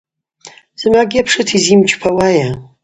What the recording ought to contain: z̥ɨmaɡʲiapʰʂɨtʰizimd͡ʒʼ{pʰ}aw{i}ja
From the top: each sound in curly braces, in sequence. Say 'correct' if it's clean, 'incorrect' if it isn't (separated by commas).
correct, incorrect